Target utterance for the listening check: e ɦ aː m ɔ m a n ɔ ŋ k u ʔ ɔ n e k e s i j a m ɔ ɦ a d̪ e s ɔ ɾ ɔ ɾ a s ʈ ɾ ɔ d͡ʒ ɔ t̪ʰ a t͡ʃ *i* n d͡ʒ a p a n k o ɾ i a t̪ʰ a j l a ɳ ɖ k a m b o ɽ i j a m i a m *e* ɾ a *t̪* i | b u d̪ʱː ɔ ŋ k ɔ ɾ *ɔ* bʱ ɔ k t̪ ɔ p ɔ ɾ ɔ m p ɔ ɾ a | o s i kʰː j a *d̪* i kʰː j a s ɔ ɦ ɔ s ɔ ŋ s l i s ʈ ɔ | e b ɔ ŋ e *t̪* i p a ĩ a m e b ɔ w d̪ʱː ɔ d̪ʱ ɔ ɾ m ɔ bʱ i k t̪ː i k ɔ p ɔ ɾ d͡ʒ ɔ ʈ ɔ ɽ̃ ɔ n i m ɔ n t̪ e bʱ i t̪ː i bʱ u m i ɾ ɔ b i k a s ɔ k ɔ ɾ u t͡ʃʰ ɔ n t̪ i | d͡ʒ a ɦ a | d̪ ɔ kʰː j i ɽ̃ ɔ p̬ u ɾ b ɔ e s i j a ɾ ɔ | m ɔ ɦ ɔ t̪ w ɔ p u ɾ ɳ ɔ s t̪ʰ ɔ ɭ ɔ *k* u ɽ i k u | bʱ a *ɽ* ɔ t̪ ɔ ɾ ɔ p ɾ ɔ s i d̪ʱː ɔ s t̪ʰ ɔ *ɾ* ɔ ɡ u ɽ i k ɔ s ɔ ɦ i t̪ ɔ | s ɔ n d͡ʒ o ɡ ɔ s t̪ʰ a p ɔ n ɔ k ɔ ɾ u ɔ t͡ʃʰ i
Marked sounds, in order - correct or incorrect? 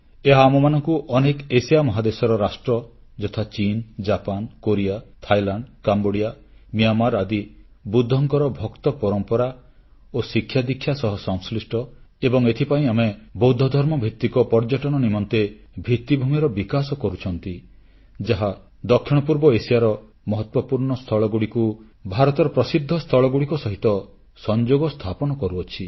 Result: correct, incorrect: a, incorrect: d̪, correct, correct, incorrect: t̪ʰ, incorrect: ɡ, incorrect: ɾ, incorrect: ɭ

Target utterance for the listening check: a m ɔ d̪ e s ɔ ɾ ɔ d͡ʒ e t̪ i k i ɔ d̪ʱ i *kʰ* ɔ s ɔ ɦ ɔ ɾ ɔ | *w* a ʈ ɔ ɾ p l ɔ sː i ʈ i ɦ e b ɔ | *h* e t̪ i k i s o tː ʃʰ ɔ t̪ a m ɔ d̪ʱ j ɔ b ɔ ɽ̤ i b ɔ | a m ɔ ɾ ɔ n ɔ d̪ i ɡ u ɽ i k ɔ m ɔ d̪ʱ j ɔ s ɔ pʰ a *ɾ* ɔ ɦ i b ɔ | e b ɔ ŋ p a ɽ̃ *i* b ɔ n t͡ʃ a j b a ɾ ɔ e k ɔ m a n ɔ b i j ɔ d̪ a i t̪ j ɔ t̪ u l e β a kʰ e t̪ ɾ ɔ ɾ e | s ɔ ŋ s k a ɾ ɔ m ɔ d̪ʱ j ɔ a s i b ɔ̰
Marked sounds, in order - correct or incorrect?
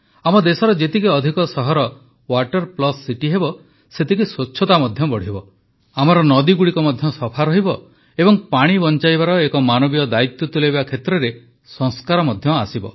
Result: incorrect: k, correct, incorrect: s, correct, correct

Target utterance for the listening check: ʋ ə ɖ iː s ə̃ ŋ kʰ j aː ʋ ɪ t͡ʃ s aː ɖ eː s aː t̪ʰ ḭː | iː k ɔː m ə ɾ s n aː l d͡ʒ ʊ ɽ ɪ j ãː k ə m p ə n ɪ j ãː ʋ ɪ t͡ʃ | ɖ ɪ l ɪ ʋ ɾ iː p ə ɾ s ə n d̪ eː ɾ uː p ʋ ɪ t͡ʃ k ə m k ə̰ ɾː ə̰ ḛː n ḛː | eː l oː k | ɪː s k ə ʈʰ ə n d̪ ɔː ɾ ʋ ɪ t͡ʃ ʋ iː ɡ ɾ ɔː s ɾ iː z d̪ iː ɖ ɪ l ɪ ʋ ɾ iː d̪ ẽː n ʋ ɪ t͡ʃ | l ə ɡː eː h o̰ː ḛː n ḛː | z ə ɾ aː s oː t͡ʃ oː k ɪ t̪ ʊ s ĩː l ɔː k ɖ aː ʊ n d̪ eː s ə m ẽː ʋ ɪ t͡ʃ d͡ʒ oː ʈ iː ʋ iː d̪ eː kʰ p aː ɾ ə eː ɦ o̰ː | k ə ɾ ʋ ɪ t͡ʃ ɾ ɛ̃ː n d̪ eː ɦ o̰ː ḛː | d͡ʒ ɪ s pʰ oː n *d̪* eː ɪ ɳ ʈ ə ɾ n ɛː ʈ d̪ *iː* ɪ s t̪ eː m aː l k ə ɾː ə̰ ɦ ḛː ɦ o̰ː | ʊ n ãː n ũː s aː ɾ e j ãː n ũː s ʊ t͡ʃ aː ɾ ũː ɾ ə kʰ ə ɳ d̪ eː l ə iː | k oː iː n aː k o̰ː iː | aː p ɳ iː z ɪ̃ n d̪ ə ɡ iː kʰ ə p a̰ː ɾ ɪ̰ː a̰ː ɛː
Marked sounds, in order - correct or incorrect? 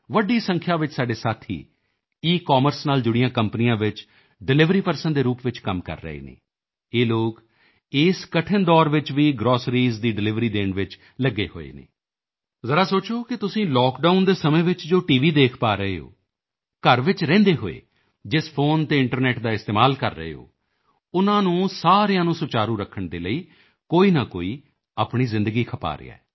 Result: incorrect: t̪, incorrect: aː

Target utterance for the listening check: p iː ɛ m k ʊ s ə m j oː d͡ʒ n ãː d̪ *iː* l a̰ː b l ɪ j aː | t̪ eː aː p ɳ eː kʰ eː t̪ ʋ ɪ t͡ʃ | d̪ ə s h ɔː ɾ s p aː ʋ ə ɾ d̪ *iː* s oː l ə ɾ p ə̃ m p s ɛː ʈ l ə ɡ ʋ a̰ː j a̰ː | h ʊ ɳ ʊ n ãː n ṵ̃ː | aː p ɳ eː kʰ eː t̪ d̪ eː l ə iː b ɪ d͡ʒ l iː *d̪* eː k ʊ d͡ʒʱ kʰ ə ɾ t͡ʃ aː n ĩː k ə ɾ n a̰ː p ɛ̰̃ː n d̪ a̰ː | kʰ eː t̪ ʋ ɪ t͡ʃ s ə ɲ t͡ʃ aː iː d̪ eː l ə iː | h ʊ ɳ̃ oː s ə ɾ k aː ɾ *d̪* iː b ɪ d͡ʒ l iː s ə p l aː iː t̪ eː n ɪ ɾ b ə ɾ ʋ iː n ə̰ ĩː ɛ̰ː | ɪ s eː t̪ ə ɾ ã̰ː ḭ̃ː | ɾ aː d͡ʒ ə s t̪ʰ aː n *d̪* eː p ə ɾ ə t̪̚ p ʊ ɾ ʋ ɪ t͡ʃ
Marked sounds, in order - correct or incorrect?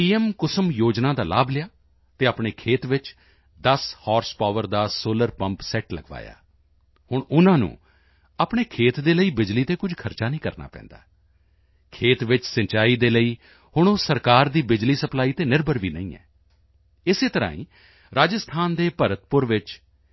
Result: incorrect: aː, incorrect: aː, incorrect: t̪, correct, correct

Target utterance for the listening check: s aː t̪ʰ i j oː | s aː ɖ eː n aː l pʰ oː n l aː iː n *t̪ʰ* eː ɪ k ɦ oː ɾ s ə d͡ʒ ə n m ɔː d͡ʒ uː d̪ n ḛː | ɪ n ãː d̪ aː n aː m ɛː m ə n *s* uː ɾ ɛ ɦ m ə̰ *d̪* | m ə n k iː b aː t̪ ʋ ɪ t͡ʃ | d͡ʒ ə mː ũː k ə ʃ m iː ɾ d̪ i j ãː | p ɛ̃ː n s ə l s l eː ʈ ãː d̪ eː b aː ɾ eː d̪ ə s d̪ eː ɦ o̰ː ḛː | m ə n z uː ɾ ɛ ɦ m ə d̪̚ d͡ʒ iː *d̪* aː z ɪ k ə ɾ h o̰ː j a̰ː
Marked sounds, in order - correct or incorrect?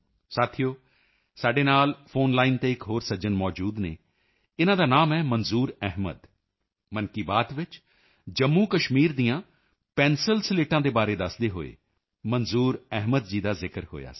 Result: incorrect: t̪, incorrect: z, correct, correct

